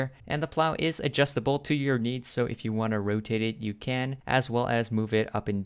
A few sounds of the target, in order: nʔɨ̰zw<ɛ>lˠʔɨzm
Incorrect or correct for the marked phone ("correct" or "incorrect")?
correct